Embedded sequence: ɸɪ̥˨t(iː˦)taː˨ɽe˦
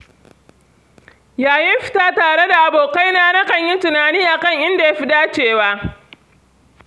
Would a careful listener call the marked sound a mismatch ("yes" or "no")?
yes